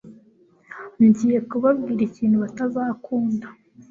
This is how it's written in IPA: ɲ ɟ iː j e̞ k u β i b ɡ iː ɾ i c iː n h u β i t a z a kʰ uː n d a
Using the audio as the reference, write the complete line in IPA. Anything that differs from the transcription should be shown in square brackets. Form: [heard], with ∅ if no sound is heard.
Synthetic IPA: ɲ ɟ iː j e̞ k u β [a] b ɡ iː ɾ i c iː n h u β [a] t a z a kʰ uː n d a

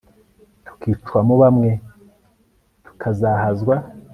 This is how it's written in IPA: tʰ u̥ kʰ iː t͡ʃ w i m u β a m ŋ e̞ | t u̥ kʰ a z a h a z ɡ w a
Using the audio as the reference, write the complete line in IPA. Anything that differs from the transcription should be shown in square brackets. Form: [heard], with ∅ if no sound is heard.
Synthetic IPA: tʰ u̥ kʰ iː t͡ʃ w [a] m u β a m ŋ e̞ | t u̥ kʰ a z a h a z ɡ w a

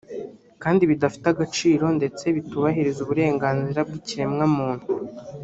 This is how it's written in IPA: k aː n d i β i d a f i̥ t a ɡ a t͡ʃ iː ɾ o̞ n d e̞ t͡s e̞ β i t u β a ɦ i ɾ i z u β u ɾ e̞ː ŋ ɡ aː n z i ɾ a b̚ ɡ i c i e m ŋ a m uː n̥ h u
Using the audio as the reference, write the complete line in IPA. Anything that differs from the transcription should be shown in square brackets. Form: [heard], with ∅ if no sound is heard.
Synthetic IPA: k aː n d i β i d a f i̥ t a ɡ a t͡ʃ iː ɾ o̞ n d e̞ t͡s e̞ β i t u β a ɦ i ɾ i z u β u ɾ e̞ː ŋ ɡ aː n z i ɾ a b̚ ɡ i c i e m ŋ a m uː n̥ h u

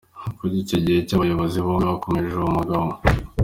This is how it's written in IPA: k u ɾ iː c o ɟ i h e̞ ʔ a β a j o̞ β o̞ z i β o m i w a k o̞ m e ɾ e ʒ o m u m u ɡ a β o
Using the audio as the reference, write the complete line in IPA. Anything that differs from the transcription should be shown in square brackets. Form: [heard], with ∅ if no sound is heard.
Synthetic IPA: k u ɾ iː c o ɟ i h e̞ [c] a β a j o̞ β o̞ z i β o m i [β] a k o̞ m e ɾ e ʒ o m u m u ɡ a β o

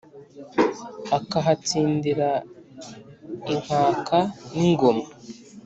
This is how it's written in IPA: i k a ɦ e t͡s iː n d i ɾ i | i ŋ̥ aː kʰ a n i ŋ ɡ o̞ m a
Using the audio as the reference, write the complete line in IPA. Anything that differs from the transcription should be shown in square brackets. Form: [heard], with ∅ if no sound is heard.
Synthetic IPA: [a] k a ɦ [a] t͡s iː n d i ɾ [a] | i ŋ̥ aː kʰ a n i ŋ ɡ o̞ m a

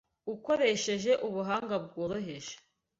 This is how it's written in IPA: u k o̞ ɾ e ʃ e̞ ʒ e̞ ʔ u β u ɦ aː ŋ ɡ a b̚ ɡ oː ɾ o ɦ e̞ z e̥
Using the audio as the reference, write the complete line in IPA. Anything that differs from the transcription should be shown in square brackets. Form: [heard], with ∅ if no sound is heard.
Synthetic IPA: u k o̞ ɾ e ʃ e̞ ʒ e̞ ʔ u β u ɦ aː ŋ ɡ a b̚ ɡ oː ɾ o ɦ e̞ [ʒ] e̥

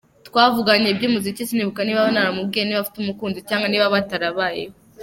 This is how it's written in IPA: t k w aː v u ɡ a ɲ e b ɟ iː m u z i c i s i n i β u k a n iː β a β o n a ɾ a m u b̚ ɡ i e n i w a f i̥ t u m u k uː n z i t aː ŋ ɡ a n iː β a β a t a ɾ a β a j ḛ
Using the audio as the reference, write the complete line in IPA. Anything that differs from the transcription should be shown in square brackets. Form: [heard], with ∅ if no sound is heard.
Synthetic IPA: t k w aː v u ɡ a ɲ e b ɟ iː m u z i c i s i n i β u k a n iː β a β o n a ɾ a m u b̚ ɡ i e n i [β] a f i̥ t u m u k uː n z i [c] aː ŋ ɡ a n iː β a β a t a ɾ a β a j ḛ

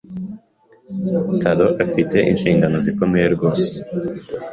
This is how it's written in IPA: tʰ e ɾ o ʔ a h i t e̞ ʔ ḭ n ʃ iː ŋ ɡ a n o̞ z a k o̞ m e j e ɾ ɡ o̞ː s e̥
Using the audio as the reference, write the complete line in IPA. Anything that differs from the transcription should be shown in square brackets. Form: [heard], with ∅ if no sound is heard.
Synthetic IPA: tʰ [a] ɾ o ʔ a [f] i t e̞ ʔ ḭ n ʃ iː ŋ ɡ a n o̞ z [i] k o̞ m e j e ɾ ɡ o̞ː s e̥

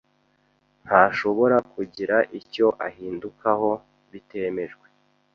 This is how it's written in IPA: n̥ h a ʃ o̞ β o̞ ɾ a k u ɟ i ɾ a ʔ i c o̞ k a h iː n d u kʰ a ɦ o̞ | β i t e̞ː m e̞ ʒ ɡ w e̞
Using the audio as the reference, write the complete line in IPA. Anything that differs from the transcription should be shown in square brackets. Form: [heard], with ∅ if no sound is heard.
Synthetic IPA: n̥ h a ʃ o̞ β o̞ ɾ a k u ɟ i ɾ a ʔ i c o̞ [ʔ] a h iː n d u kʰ a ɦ o̞ | β i t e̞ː m e̞ ʒ ɡ w e̞

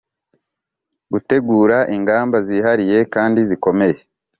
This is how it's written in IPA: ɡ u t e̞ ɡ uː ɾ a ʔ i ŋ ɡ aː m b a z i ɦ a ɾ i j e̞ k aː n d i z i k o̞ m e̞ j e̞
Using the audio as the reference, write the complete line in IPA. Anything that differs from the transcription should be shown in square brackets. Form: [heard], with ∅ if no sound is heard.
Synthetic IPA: ɡ u t e̞ ɡ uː ɾ a ʔ i ŋ ɡ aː m b a z i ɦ a ɾ i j e̞ k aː n d i z i k o̞ m e̞ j e̞

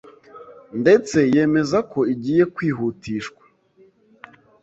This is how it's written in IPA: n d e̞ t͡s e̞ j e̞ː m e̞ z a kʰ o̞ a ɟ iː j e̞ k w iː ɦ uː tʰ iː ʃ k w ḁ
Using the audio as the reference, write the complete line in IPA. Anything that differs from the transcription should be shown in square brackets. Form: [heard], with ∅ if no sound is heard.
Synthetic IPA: n d e̞ t͡s e̞ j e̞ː m e̞ z a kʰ o̞ [i] ɟ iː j e̞ k w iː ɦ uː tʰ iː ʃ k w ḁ

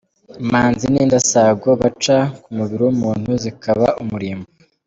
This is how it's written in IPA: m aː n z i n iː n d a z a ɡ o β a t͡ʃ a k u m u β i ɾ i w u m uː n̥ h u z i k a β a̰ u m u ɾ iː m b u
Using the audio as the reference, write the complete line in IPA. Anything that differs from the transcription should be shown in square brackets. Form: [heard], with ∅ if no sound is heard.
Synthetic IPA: m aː n z i n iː n d a [s] a ɡ o β a t͡ʃ a k u m u β i ɾ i w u m uː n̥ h u z i k a β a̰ u m u ɾ iː m b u

